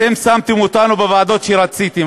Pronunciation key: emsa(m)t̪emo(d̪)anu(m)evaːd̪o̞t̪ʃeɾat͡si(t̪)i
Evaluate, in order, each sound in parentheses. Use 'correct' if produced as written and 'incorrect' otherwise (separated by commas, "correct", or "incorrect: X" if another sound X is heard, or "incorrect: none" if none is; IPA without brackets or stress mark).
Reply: correct, incorrect: t̪, incorrect: b, correct